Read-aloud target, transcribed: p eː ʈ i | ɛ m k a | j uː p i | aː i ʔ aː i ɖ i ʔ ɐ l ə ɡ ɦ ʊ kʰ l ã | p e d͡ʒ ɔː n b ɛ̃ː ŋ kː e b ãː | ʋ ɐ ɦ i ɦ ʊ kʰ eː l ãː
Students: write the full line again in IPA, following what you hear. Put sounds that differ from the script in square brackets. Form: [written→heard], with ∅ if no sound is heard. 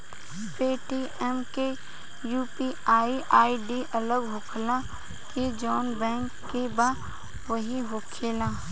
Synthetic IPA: p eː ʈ i | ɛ m k [a→e] | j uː p i | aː i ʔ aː i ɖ i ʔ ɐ l ə ɡ ɦ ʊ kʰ l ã | [p→k] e d͡ʒ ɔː n b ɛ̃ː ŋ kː e b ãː | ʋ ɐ ɦ i ɦ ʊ kʰ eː l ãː